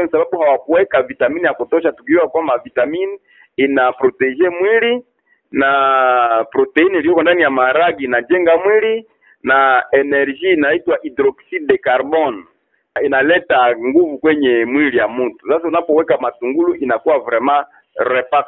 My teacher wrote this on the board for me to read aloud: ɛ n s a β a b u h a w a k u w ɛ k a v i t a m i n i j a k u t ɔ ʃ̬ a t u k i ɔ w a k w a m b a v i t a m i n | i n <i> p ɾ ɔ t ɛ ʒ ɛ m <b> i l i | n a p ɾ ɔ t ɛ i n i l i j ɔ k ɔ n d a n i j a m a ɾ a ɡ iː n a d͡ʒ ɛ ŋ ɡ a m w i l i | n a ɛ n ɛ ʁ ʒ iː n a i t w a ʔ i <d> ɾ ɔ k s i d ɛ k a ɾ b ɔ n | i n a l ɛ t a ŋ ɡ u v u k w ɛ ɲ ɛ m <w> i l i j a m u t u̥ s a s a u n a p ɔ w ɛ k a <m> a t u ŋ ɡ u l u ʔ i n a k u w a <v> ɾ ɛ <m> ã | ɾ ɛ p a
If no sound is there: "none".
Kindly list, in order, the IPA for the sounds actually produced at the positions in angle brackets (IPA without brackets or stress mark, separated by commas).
a, w, d, w, m, v, m